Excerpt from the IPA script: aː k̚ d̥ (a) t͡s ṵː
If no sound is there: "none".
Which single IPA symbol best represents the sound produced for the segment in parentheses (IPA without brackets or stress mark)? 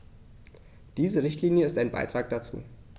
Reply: a